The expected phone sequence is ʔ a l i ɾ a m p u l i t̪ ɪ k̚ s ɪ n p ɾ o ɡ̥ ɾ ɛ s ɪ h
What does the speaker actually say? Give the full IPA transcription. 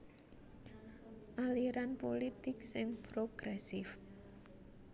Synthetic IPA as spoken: ʔ a l i ɾ a n p o l i t̪ ɪ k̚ s ɪ ŋ p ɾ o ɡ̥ ɾ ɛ s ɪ f